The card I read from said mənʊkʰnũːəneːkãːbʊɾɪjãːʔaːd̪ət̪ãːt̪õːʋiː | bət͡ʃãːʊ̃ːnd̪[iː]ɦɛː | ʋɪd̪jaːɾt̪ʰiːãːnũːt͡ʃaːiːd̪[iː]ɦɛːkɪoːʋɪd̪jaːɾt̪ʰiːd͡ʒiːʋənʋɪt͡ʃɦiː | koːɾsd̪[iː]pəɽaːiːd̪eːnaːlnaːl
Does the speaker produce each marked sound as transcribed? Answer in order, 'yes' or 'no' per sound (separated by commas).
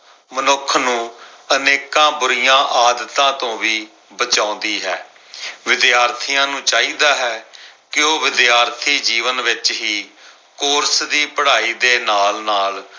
yes, no, yes